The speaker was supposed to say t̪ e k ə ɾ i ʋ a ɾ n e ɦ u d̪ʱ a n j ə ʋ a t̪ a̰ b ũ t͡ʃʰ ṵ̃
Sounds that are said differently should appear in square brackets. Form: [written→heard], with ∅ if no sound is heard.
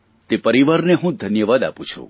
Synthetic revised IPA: t̪ e [k→p] ə ɾ i ʋ a ɾ n e ɦ [u→ũ] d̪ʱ [a→ə] n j ə ʋ a [t̪→d̪] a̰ [b→p] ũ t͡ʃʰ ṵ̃